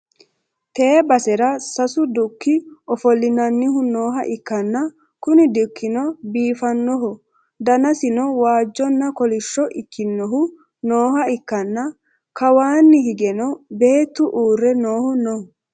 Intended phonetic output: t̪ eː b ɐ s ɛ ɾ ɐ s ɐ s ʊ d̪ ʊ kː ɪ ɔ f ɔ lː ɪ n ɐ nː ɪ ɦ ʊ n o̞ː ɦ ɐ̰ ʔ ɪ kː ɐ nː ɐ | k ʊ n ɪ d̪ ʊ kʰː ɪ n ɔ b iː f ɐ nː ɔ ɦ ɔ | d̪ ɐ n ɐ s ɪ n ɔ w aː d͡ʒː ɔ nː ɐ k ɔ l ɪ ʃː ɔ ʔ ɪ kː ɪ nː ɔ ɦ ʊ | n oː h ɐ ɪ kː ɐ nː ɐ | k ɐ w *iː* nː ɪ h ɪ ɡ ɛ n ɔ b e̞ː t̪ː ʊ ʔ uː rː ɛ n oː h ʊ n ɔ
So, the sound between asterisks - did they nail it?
no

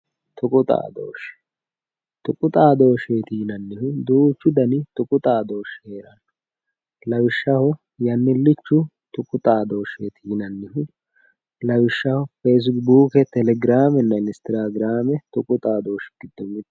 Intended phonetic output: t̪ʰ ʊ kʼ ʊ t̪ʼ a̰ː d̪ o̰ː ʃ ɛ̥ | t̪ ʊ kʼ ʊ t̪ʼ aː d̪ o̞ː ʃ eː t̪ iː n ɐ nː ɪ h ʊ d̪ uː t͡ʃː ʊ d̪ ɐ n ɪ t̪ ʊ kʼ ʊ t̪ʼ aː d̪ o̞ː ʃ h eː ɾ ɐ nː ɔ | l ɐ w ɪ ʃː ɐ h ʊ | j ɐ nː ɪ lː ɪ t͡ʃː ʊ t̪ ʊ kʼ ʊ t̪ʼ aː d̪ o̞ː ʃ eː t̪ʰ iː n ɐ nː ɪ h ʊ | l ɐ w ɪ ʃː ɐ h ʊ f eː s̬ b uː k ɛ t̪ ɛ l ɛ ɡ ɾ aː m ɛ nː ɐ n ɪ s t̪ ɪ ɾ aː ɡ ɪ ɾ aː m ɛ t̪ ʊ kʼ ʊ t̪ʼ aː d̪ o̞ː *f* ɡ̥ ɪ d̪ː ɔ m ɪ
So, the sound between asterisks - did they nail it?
no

